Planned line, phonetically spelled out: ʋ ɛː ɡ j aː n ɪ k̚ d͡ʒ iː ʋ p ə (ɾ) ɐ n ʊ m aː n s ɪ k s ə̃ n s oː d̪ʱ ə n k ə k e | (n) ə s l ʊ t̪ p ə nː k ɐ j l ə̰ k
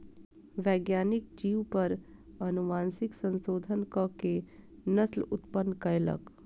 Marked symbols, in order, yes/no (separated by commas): yes, yes